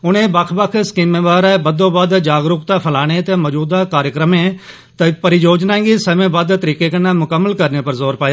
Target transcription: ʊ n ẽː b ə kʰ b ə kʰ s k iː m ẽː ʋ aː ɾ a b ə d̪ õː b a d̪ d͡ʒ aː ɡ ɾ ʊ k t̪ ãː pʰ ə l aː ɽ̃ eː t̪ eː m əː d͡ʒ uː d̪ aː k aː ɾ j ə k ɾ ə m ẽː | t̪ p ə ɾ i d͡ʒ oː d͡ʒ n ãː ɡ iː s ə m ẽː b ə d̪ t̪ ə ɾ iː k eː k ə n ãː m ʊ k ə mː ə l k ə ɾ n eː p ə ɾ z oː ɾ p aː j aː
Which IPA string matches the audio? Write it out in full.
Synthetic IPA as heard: ʊ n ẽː b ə kʰ b ə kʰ s k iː m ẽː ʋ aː ɾ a b ə d̪ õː b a d̪ d͡ʒ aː ɡ ɾ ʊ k t̪ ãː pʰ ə l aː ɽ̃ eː t̪ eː m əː d͡ʒ uː d̪ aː k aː ɾ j ə k ɾ ə m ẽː | t̪ p ə ɾ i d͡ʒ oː d͡ʒ n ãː ɡ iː s ə m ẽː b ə d̪ t̪ ə ɾ iː k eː k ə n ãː m ʊ k ə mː ə l k ə ɾ n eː p ə ɾ z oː ɾ p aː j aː